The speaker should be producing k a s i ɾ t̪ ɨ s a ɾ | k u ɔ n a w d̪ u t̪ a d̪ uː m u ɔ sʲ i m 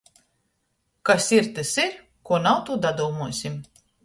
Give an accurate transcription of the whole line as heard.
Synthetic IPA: k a s i ɾ t̪ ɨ s i ɾ | k u ɔ n a w t̪ u d̪ a d̪ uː m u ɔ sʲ i m

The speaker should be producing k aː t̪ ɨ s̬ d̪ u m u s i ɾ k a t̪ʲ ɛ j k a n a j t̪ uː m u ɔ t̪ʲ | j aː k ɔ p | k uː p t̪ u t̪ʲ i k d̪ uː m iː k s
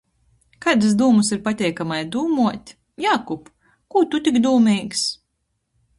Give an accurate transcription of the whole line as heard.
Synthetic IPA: k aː d̪ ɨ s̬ d̪ uː m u s i ɾ p a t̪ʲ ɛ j k a m a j d̪ uː m u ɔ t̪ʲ | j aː k u p | k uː t̪ u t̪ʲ i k d̪ uː m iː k s

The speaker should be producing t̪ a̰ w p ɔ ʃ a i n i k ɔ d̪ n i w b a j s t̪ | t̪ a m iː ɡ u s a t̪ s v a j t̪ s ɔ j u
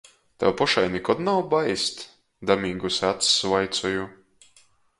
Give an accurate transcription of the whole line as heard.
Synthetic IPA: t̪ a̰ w p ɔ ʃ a j n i k ɔ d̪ n a w b a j s t̪ | d̪ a m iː ɡ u s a t̪ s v a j t̪ s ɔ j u

